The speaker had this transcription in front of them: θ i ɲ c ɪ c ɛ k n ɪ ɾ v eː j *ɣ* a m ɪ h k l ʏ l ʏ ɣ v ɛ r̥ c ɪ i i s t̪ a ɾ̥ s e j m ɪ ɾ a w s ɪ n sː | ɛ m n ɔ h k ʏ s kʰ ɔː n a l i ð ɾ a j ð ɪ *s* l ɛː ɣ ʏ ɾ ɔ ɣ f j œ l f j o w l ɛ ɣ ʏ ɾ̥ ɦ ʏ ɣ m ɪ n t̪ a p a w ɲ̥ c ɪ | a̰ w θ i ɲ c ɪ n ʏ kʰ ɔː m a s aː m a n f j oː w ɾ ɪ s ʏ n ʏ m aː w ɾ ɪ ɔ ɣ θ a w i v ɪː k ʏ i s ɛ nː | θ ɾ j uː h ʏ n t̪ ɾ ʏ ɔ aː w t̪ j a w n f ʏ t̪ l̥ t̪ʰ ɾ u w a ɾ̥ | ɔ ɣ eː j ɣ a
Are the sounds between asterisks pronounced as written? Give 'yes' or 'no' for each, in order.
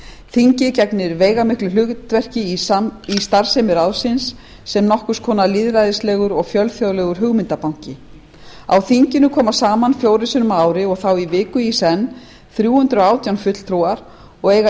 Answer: yes, yes

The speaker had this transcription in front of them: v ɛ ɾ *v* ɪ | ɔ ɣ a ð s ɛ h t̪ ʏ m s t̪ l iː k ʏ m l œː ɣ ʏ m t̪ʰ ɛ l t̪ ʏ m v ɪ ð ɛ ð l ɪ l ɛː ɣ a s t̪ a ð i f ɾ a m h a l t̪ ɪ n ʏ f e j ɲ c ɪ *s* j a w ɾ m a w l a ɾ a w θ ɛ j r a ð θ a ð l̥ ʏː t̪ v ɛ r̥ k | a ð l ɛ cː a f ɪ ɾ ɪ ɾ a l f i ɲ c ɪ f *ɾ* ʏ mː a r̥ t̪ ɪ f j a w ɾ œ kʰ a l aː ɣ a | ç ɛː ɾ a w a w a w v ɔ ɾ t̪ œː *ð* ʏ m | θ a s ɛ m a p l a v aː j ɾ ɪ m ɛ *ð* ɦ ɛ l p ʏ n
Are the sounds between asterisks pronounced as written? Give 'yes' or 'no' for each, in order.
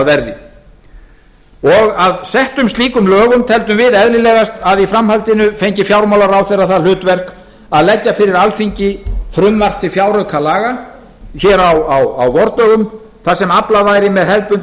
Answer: no, no, yes, no, yes

